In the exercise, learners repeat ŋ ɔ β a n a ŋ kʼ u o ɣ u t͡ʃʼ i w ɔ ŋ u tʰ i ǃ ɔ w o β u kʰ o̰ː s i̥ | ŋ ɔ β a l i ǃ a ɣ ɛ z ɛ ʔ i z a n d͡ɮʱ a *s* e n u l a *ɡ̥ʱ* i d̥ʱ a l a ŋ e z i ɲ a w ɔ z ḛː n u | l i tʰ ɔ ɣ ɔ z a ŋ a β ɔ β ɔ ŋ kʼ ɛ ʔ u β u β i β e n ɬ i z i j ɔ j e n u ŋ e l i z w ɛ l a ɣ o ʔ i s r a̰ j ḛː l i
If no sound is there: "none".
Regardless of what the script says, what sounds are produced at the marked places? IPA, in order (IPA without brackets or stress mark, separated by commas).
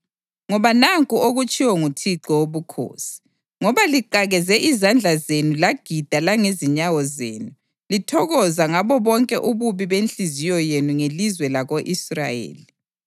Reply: z, ɡ̥ʱ